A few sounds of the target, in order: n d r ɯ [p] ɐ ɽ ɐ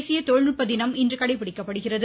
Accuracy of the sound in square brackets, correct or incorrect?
incorrect